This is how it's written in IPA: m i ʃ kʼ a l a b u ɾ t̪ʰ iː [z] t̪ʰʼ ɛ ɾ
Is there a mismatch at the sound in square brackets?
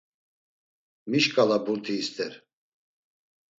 yes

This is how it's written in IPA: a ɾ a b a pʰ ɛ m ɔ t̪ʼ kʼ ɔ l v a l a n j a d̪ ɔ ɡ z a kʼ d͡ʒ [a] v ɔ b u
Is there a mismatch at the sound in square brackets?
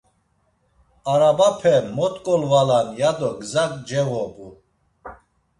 yes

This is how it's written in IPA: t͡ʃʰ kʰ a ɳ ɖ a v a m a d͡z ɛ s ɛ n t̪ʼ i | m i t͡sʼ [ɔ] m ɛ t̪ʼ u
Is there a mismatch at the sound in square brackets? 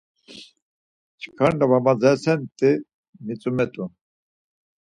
yes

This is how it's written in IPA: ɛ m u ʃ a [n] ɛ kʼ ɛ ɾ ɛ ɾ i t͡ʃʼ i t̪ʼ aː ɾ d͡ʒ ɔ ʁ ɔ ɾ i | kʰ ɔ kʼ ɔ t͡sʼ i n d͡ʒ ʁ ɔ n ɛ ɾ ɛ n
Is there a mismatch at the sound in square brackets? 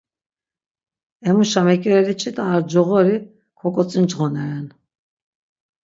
yes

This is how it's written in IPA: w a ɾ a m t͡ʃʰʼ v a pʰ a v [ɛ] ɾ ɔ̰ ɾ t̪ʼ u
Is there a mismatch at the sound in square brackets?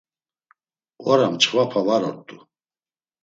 yes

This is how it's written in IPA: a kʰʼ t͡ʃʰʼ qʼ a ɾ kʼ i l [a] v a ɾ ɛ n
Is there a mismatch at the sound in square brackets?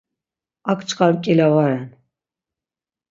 no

